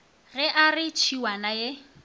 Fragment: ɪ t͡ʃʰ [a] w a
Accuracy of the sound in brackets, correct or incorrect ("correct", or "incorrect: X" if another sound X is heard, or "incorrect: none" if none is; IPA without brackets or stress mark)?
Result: incorrect: i